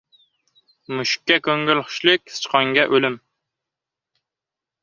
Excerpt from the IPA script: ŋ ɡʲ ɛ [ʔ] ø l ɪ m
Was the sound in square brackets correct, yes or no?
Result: yes